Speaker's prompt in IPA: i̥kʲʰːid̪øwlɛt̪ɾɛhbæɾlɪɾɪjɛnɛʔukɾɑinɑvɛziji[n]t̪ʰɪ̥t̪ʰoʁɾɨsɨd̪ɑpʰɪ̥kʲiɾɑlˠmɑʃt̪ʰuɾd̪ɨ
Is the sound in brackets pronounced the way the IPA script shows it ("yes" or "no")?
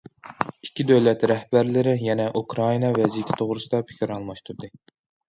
no